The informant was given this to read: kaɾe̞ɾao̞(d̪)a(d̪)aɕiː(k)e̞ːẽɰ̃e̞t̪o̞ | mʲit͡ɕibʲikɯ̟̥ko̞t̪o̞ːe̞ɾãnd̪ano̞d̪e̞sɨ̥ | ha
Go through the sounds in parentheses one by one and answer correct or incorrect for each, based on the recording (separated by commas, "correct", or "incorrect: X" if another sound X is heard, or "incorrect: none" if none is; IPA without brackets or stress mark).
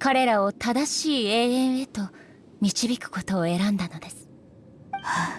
incorrect: t̪, correct, incorrect: none